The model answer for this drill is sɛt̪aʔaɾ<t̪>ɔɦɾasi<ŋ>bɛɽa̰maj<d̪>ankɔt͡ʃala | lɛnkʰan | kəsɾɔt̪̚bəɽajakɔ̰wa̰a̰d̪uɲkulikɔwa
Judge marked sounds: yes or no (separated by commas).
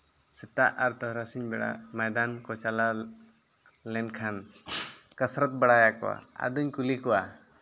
yes, no, yes